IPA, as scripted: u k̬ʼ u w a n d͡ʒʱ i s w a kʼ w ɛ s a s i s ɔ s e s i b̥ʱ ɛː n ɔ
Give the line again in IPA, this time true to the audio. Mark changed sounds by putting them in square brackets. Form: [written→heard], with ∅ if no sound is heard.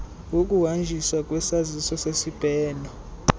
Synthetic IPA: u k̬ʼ u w a n d͡ʒʱ i s w a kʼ w ɛ s a [s→z] i s ɔ s e s i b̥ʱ ɛː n ɔ